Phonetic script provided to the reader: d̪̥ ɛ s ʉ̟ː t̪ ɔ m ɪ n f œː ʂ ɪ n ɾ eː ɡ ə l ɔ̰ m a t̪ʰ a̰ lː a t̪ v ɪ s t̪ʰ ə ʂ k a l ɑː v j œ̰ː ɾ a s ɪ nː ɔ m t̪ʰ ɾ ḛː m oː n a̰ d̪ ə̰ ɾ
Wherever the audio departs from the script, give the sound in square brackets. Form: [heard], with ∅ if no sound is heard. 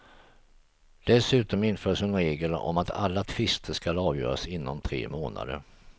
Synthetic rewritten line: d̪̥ ɛ s ʉ̟ː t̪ ɔ m ɪ n f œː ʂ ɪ n ɾ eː ɡ ə l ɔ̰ m a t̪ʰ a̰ lː a [t̪ʰ] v ɪ s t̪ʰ ə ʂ k a l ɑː v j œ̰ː ɾ a s ɪ nː ɔ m t̪ʰ ɾ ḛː m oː n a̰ d̪ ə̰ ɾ